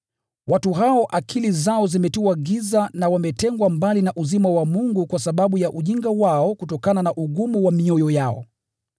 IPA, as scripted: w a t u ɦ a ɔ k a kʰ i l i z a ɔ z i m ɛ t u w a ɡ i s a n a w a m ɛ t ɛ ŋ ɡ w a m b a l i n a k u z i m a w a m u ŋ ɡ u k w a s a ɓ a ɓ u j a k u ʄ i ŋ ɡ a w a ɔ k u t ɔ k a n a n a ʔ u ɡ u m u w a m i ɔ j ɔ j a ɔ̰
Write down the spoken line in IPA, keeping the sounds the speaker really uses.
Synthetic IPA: w a t u ɦ a ɔ ʔ a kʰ i l i z a ɔ z i m ɛ t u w a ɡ i z a n a w a m ɛ t ɛ ŋ ɡ w a m b a l i n a ʔ u z i m a w a m u ŋ ɡ u k w a s a ɓ a ɓ u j a ʔ u ʄ i ŋ ɡ a w a ɔ k u t ɔ k a n a n a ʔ u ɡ u m u w a m i ɔ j ɔ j a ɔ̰